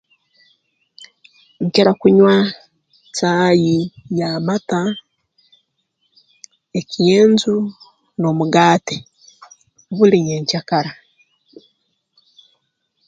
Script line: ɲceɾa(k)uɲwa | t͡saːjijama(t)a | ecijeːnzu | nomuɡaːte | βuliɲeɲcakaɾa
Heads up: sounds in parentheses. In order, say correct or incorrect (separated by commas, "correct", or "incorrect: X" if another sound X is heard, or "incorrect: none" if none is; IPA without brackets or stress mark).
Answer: correct, correct